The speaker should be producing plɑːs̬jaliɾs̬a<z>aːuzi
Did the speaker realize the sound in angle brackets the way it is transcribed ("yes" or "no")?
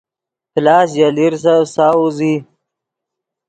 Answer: no